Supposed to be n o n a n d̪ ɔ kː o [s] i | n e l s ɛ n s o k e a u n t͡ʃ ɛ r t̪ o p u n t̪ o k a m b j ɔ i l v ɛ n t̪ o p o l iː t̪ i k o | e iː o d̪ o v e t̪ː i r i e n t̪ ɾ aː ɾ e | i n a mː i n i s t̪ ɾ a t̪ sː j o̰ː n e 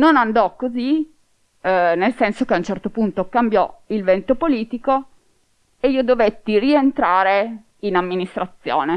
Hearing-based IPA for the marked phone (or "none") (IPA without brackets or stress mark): z